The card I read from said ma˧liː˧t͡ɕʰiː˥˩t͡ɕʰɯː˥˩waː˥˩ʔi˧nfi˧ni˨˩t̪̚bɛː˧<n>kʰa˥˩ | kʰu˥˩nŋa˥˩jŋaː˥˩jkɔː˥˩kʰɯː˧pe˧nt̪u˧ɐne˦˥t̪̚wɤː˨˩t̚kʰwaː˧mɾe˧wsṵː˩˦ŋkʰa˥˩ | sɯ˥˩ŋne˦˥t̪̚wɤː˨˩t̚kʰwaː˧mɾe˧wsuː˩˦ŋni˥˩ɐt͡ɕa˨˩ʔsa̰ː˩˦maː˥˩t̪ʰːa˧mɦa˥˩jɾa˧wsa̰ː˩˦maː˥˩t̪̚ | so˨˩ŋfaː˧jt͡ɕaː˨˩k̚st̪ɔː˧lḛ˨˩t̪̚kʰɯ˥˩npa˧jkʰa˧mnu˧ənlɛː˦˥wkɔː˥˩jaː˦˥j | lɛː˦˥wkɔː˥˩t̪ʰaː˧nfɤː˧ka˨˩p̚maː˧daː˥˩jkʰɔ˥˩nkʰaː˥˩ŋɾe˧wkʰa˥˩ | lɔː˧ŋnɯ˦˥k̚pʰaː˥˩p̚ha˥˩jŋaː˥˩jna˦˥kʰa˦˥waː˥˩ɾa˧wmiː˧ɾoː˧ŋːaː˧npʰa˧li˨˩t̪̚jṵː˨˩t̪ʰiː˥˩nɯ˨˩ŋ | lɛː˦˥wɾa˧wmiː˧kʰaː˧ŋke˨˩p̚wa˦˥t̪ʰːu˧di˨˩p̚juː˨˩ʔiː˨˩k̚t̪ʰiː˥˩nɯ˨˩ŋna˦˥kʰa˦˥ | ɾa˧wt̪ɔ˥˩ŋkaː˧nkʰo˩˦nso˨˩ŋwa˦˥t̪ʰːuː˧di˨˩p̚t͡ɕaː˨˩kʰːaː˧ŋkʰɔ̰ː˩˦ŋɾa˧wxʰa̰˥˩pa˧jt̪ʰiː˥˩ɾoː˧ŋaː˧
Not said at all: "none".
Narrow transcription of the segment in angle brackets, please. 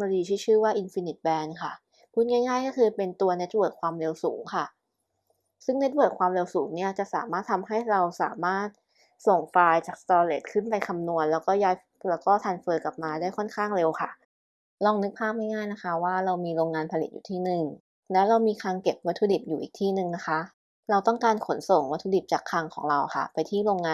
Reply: n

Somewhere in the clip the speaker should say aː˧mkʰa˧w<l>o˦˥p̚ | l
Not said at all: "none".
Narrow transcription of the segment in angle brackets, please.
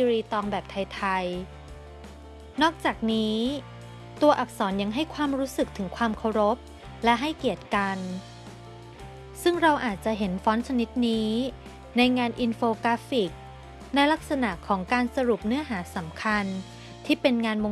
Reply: ɾ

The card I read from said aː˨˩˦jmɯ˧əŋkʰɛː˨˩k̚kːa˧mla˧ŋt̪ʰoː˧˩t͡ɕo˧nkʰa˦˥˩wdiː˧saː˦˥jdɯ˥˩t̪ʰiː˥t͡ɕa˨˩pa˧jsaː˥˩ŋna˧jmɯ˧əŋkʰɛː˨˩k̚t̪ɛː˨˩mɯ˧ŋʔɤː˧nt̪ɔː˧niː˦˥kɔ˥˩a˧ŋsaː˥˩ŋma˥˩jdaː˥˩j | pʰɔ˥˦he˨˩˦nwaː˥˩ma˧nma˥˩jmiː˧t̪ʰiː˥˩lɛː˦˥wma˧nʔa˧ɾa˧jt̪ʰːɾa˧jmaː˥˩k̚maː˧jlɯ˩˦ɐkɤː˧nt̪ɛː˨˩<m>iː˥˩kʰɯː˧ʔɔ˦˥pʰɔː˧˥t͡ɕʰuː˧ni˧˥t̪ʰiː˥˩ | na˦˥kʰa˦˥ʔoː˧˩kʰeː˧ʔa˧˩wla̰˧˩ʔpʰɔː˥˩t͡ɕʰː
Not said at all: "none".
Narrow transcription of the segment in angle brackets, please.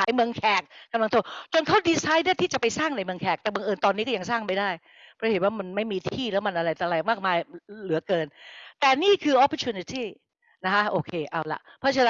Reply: n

